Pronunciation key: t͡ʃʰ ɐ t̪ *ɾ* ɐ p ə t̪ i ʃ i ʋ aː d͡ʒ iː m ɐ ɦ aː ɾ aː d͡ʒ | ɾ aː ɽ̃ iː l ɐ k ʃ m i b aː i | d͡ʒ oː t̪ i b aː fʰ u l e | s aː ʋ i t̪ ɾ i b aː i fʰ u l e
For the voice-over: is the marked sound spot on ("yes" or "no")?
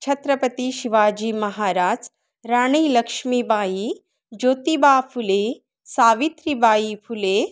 yes